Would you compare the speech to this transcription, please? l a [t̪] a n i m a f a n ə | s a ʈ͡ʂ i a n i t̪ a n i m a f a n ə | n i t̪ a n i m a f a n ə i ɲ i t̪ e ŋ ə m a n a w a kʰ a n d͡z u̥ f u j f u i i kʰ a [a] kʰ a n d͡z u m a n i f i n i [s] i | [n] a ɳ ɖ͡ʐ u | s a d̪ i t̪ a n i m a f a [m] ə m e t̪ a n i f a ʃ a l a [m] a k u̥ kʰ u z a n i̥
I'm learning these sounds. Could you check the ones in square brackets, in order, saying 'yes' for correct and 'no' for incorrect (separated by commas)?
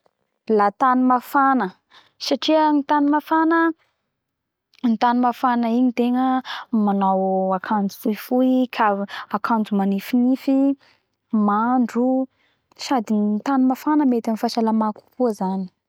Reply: yes, yes, no, no, no, yes